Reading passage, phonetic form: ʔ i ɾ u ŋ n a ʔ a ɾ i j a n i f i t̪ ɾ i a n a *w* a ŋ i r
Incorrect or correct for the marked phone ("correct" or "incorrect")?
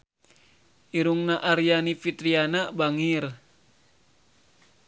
incorrect